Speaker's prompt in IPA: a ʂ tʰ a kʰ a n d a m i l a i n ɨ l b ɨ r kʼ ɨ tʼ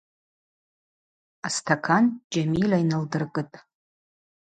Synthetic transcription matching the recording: a s tʰ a kʰ a n d͡ʒ a m i l a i n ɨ l d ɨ r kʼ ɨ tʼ